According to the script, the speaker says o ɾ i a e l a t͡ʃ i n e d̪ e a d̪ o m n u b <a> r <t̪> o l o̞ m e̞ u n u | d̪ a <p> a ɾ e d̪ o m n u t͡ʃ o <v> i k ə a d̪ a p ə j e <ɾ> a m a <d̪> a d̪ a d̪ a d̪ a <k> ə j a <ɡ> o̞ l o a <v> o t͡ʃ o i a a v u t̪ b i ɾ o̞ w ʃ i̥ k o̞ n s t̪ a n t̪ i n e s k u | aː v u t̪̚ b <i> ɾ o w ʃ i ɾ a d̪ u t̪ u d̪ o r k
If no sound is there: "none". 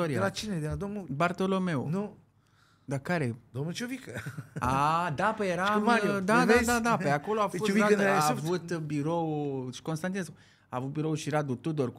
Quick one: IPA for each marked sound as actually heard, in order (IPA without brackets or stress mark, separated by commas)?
a, t̪, k, v, ɾ, d̪, p, k, f, i